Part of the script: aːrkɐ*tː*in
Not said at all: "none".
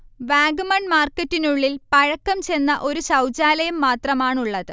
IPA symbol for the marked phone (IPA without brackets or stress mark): tː